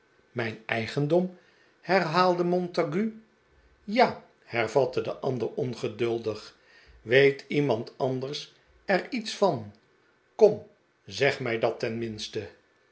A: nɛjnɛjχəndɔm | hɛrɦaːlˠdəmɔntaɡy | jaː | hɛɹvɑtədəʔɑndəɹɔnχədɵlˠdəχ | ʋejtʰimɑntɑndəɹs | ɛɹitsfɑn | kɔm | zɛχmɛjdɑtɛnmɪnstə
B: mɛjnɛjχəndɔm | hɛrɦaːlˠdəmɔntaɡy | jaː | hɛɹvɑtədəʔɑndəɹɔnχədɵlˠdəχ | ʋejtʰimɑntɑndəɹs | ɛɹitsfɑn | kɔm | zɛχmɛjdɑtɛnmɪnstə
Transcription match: B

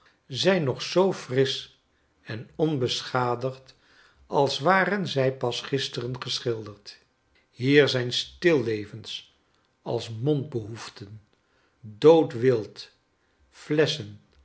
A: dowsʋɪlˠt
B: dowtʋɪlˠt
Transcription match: B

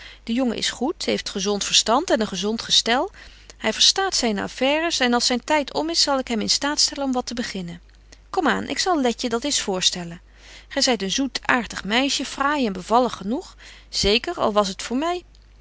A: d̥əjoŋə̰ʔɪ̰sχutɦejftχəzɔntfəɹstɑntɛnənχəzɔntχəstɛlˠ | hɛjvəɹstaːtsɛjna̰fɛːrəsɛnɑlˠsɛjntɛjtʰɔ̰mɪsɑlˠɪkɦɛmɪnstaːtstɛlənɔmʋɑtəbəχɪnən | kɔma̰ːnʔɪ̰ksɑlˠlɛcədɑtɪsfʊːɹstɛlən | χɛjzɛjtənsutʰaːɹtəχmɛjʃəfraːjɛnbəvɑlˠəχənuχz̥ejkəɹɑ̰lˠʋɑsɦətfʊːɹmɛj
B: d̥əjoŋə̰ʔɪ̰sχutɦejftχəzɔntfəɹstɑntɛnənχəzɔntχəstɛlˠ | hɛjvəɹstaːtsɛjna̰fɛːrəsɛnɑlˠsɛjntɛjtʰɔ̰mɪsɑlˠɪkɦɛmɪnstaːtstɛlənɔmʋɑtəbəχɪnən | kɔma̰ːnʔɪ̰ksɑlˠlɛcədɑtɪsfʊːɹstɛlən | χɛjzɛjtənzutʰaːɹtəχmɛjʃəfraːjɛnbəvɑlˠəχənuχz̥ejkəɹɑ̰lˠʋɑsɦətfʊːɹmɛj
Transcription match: B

